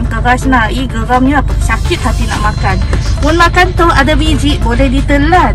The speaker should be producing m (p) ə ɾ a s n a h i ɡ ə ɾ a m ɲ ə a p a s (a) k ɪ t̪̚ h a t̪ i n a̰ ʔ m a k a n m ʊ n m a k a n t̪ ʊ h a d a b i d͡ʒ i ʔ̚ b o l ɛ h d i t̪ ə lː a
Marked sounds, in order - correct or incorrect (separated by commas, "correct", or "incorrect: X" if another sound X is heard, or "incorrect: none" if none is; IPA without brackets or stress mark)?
incorrect: k, correct